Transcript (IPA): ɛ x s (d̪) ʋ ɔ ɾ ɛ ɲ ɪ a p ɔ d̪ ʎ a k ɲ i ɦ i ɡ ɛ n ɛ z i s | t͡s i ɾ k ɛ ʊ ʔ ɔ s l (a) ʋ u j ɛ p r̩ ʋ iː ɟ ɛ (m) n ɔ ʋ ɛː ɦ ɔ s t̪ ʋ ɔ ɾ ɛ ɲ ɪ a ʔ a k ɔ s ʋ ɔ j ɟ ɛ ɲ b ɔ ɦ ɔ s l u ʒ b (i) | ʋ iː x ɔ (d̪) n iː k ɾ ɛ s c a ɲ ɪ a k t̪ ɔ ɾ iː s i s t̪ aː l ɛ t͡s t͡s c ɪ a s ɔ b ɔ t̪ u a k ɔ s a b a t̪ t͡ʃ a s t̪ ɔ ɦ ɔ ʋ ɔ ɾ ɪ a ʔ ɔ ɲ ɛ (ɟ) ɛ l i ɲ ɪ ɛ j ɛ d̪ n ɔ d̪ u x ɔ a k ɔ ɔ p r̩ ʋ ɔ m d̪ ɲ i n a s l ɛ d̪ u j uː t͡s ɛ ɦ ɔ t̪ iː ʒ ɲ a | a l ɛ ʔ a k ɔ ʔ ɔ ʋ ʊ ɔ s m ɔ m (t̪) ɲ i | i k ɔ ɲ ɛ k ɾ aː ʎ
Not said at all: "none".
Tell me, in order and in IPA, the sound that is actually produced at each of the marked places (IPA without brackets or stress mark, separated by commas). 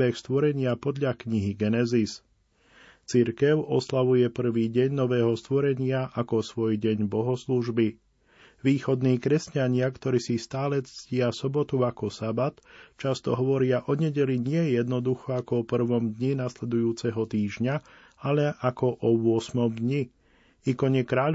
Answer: t̪, a, ɲ, i, d̪, ɟ, d̪